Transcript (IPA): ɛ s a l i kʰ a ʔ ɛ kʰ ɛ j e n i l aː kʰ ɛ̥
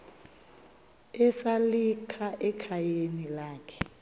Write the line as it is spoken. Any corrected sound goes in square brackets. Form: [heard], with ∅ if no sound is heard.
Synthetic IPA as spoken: ɛ s a l i kʰ a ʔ ɛ kʰ [a] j e n i l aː kʰ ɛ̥